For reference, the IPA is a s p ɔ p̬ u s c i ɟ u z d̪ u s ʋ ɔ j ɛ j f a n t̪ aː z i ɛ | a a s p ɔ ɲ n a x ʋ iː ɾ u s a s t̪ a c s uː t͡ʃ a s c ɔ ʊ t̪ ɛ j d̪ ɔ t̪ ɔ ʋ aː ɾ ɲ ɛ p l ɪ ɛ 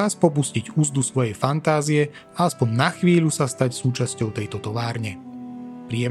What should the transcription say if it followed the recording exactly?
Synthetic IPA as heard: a s p ɔ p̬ u s c i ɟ u z d̪ u s ʋ ɔ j ɛ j f a n t̪ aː z i ɛ | a a s p ɔ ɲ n a x ʋ iː ʎ u s a s t̪ a c s uː t͡ʃ a s c ɔ ʊ t̪ ɛ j t̪ ɔ t̪ ɔ ʋ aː ɾ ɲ ɛ p ɾ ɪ ɛ